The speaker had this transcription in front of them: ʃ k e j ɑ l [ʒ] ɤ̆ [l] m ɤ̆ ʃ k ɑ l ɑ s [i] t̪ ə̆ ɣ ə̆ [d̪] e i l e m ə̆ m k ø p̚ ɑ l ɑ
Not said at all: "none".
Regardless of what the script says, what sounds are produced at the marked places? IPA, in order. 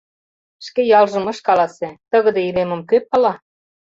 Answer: ʒ, none, e, d̪

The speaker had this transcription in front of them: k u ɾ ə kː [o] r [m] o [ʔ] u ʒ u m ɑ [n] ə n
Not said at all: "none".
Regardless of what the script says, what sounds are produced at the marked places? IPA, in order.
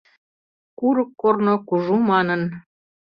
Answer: o, n, k, n

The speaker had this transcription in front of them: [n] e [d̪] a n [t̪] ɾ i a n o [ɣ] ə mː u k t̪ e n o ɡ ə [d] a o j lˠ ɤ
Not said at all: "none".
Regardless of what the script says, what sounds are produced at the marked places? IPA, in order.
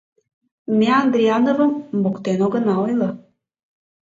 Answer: m, none, d̪, v, n

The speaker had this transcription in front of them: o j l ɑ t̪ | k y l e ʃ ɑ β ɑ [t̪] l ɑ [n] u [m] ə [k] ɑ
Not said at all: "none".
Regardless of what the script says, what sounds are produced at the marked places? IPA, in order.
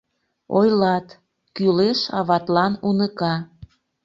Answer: t̪, n, n, k

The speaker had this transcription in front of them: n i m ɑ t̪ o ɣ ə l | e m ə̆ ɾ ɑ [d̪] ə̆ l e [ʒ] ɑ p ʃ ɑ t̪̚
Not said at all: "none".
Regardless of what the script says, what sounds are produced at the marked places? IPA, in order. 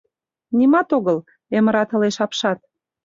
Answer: t̪, ʃ

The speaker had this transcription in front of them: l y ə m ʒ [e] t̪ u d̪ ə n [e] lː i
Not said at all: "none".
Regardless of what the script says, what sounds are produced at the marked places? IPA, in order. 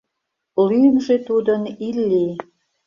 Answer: e, i

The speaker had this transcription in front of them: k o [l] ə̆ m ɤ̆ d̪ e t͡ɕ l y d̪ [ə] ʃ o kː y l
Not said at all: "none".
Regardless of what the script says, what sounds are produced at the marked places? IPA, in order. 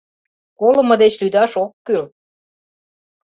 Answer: l, ɑ

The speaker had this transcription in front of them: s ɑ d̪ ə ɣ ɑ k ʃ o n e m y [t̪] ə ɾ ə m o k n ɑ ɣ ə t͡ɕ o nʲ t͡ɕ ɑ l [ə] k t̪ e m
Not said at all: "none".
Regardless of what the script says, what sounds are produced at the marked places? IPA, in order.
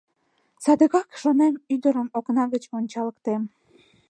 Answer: d̪, ə

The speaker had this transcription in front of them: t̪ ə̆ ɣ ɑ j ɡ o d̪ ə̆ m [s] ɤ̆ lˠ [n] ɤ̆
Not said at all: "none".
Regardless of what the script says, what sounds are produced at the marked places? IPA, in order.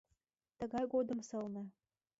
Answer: s, n

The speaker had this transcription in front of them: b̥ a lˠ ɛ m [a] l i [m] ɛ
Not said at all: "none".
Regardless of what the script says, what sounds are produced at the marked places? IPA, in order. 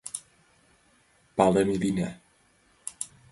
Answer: i, n

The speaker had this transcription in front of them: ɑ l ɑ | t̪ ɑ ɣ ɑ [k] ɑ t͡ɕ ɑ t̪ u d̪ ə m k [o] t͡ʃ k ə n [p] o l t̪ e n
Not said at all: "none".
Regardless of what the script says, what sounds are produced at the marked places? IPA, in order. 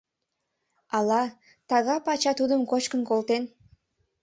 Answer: p, o, k

